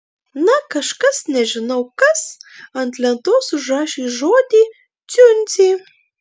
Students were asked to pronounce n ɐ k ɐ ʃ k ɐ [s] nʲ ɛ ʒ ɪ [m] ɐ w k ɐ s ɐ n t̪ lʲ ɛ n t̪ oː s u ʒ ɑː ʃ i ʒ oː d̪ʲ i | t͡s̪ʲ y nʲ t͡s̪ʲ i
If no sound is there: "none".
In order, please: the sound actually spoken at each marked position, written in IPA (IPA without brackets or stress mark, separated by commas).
s, n